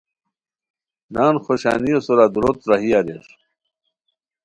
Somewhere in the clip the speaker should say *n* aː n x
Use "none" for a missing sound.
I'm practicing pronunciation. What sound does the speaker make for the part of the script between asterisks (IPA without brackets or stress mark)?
n